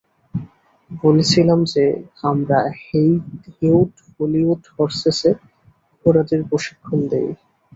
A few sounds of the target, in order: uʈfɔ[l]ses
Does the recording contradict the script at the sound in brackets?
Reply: yes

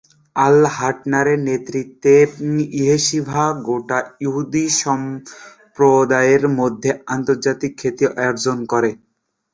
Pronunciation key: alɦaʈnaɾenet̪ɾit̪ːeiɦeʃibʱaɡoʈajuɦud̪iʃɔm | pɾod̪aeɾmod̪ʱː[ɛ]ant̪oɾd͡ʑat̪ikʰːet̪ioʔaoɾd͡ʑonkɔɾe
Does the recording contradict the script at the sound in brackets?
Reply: yes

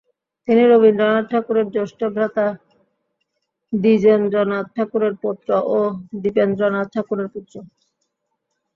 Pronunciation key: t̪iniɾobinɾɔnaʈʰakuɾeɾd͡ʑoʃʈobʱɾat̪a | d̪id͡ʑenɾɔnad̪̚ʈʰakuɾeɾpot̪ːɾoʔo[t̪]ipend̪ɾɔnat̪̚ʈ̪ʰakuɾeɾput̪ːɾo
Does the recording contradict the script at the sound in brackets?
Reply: yes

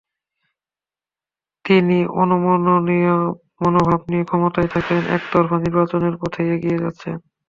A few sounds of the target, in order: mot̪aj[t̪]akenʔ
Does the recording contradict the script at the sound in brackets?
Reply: yes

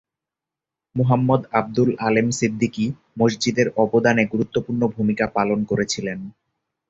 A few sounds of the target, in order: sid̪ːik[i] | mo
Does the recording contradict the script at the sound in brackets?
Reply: no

